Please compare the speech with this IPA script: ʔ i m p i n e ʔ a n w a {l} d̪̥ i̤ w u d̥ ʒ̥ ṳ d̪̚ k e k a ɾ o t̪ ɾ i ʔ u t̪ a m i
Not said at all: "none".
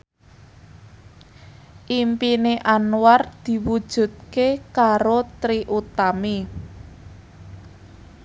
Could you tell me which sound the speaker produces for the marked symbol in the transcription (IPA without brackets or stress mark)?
r